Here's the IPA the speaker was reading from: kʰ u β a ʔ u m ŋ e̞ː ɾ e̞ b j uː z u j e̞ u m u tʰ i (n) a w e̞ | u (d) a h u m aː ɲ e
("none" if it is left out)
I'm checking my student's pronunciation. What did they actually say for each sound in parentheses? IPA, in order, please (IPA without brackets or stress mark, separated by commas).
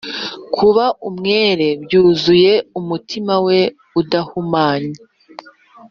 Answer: m, d